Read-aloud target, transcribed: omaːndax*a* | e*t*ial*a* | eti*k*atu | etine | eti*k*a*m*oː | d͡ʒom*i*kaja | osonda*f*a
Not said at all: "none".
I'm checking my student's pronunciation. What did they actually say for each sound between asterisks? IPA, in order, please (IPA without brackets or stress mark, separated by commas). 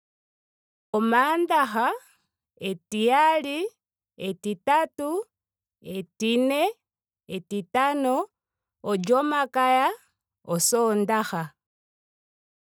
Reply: a, t, i, t, t, n, a, x